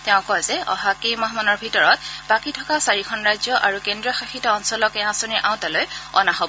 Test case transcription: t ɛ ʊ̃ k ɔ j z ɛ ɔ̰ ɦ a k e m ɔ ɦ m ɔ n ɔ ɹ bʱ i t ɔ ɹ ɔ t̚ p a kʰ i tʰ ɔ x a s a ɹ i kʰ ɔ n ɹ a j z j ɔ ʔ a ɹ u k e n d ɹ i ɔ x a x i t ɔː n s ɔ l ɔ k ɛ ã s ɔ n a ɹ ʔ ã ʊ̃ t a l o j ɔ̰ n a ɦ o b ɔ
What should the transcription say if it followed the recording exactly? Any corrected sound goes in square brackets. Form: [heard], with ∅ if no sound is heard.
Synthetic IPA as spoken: t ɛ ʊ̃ k ɔ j z ɛ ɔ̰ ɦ a k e m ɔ ɦ m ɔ n ɔ ɹ bʱ i t ɔ ɹ ɔ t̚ [b] a [k] i tʰ ɔ [k] a s a ɹ i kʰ ɔ n ɹ a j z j ɔ ʔ a ɹ u k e n d ɹ i ɔ x a x i t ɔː n s ɔ l ɔ k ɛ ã s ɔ n [i] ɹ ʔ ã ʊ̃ t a l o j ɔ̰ n a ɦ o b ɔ